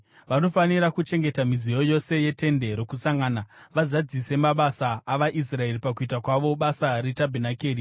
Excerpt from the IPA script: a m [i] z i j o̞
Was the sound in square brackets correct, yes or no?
yes